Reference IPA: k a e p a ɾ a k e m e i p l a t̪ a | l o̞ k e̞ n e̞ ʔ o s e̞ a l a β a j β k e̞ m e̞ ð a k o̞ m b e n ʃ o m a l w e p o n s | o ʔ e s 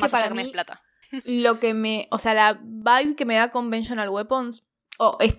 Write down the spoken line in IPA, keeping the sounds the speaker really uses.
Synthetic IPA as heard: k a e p a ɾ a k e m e i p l a t̪ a | l o̞ k e̞ m e̞ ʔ o s e̞ a l a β a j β k e̞ m e̞ ð a k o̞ m b e n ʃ o n a l w e p o n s | o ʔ e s